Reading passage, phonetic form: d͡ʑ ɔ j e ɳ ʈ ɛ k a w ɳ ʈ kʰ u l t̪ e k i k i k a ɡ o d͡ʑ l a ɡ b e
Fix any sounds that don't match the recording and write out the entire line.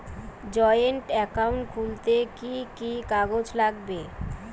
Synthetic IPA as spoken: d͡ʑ ɔ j e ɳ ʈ ɛ k a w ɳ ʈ kʰ u l t̪ e k i k i k a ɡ o d͡ʑ l a ɡ b e